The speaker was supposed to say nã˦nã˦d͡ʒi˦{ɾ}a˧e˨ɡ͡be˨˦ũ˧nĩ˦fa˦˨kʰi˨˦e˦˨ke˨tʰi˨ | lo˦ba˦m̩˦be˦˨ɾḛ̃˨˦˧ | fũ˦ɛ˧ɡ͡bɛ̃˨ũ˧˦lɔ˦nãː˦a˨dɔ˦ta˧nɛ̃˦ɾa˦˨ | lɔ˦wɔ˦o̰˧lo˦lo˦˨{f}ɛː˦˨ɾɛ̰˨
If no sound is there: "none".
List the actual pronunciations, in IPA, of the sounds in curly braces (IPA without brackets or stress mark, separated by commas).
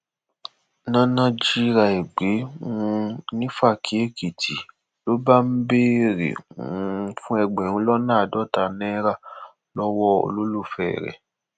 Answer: ɾ, f